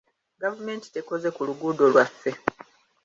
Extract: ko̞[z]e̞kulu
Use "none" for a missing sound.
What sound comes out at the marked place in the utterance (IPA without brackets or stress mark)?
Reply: z